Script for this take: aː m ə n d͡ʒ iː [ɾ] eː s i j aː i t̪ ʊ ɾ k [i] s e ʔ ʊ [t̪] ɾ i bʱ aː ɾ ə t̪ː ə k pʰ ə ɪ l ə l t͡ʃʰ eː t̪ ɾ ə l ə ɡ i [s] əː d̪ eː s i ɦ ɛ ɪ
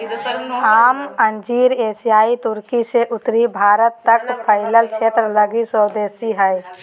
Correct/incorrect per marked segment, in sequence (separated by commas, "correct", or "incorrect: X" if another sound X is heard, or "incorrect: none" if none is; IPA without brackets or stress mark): correct, correct, correct, correct